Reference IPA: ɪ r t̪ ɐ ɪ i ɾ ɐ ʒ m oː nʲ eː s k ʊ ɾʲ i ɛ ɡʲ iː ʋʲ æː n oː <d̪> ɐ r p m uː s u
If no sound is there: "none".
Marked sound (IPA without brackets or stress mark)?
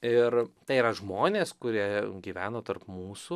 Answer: t̪